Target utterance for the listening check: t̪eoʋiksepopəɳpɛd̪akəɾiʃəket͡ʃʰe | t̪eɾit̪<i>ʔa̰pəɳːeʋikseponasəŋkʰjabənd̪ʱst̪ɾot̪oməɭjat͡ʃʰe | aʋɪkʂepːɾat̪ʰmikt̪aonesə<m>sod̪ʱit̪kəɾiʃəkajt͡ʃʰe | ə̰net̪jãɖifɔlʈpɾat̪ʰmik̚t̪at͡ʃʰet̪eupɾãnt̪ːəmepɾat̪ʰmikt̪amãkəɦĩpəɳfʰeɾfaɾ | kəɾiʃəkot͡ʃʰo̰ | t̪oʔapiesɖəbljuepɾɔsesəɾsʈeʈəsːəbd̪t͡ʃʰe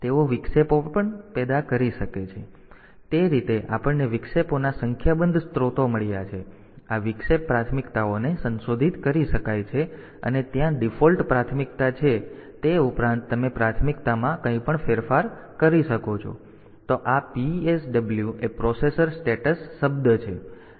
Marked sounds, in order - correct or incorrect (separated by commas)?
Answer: incorrect, incorrect